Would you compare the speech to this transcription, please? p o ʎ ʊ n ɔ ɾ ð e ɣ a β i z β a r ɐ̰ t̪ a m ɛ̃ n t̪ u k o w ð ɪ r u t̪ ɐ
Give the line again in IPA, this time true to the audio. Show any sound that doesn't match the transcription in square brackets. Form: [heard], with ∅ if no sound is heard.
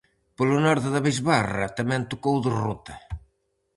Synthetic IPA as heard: p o [l] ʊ n ɔ ɾ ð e [ð] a β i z β a r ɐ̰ t̪ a m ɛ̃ n t̪ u k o w ð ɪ r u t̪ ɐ